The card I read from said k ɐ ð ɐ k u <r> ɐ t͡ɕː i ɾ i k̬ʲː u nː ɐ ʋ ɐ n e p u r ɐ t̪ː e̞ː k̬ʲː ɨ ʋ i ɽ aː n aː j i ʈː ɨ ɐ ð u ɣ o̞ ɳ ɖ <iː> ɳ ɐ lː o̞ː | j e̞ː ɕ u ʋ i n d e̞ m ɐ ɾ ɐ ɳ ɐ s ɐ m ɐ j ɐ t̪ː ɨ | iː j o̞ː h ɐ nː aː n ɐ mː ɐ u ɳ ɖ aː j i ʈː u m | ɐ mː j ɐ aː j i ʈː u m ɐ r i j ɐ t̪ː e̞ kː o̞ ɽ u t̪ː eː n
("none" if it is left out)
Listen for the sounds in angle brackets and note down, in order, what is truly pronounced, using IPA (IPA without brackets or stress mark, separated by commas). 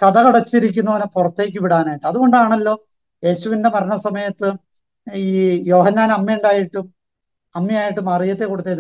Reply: ɽ, aː